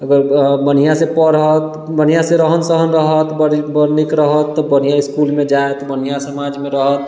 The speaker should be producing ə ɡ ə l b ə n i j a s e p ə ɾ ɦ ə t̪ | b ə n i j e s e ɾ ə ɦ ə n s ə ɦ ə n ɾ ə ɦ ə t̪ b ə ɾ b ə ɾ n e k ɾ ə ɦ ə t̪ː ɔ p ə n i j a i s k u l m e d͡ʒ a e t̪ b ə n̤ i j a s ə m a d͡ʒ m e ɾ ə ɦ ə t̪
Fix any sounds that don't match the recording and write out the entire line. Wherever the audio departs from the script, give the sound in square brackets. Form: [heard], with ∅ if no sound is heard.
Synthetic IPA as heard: ə ɡ ə [ɾ] b ə n i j a s e p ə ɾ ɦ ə t̪ | b ə n i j [a] s e ɾ ə ɦ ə n s ə ɦ ə n ɾ ə ɦ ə t̪ b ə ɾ b ə ɾ n [i] k ɾ ə ɦ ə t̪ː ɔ [b] ə n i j a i s k u l m e d͡ʒ a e t̪ b ə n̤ i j a s ə m a d͡ʒ m e ɾ ə ɦ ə t̪